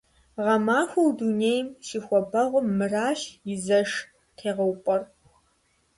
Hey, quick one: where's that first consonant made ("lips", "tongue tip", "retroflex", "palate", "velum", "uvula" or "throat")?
uvula